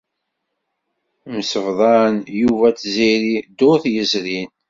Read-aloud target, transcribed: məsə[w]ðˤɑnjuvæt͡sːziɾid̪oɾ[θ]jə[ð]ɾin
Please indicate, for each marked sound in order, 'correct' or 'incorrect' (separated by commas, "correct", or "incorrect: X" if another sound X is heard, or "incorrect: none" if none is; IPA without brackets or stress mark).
incorrect: v, correct, incorrect: z